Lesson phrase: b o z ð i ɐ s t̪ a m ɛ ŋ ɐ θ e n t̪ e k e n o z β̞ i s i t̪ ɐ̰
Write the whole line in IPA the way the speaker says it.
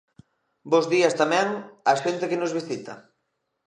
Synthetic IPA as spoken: b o z ð i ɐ s t̪ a m ɛ ŋ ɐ ʃ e n t̪ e k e n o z β̞ i s i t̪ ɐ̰